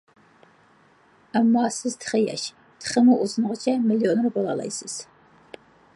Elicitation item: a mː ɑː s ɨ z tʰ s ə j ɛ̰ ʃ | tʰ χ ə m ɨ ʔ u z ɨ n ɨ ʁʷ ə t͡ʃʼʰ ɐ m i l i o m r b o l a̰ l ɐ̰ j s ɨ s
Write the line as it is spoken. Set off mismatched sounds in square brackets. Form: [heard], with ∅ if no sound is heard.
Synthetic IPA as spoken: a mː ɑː s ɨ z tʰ [χ] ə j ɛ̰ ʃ | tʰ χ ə m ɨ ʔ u z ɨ n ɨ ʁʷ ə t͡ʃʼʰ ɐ m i l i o [n] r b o l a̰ l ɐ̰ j s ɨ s